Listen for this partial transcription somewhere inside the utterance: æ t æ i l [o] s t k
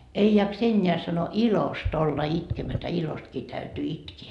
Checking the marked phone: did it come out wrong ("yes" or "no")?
no